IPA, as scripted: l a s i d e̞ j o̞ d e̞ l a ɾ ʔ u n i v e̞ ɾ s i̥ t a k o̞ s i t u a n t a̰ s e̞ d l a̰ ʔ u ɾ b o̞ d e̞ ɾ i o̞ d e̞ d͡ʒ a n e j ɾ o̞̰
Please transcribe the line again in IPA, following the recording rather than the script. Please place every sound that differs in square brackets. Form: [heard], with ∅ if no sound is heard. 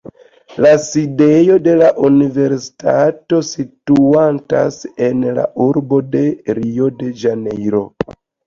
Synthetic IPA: l a s i d e̞ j o̞ d e̞ l a [∅] ʔ u n i v e̞ ɾ s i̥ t a [t] o̞ s i t u a n t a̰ s e̞ [n] l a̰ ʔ u ɾ b o̞ d e̞ ɾ i o̞ d e̞ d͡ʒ a n e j ɾ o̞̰